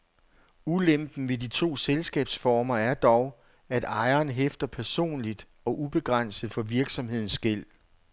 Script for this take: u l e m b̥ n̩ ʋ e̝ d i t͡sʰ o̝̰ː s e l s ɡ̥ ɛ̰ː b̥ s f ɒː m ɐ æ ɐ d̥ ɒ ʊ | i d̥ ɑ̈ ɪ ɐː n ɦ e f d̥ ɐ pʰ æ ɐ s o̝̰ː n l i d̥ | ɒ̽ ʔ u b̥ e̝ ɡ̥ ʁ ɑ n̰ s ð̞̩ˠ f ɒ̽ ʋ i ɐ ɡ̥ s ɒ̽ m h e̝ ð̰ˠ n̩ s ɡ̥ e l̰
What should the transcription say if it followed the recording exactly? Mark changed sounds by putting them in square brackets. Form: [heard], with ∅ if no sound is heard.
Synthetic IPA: u l e m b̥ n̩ ʋ e̝ d i t͡sʰ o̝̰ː s e l s ɡ̥ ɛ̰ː b̥ s f ɒː m ɐ æ ɐ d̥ ɒ ʊ | [æ] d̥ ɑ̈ ɪ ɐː n ɦ e f d̥ ɐ pʰ æ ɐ s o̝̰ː n l i d̥ | ɒ̽ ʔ u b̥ e̝ ɡ̥ ʁ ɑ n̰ s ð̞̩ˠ f ɒ̽ ʋ i ɐ ɡ̥ s ɒ̽ m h e̝ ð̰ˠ n̩ s ɡ̥ e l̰